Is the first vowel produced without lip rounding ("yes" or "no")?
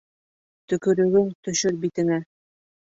no